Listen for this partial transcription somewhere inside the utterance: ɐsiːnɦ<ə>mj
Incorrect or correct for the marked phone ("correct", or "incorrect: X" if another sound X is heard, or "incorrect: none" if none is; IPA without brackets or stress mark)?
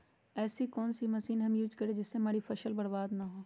incorrect: ɐ